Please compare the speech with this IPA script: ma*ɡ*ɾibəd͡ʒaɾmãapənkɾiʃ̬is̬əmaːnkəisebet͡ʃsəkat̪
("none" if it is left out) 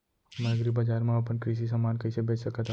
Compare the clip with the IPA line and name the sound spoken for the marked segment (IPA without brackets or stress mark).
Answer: ɡ